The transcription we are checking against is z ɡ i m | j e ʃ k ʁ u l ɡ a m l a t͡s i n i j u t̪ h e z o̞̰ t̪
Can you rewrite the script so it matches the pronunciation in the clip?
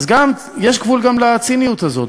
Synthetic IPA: z ɡ a m | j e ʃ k v u l ɡ a m l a t͡s i n i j u t̪ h a z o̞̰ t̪